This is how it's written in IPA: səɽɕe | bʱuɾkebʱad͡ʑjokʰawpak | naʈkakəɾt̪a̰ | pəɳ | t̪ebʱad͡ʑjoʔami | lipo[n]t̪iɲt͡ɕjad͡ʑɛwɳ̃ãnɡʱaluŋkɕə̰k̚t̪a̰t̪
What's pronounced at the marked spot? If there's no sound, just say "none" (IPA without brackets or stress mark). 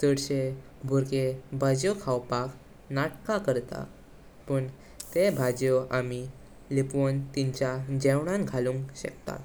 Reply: n